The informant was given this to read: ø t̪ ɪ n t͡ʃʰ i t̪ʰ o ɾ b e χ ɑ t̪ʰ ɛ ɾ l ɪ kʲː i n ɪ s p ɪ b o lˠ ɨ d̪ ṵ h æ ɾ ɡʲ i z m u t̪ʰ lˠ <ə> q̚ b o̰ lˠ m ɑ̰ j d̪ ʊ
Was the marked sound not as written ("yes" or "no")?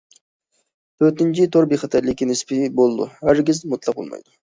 yes